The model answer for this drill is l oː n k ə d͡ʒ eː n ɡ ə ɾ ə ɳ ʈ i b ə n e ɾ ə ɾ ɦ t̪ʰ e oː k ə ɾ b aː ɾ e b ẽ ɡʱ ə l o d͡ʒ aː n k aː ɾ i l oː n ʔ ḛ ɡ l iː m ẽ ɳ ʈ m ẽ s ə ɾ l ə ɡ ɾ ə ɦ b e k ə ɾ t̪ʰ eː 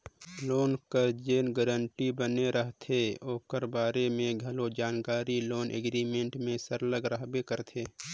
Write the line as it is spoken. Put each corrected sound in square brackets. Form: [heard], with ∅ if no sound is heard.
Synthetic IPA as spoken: l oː n k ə d͡ʒ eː n ɡ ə ɾ ə ɳ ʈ i b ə n e ɾ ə [∅] ɦ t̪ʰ e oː k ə ɾ b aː ɾ e [m] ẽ ɡʱ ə l o d͡ʒ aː n k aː ɾ i l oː n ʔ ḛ ɡ [ɾ] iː m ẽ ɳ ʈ m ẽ s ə ɾ l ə ɡ ɾ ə ɦ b e k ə ɾ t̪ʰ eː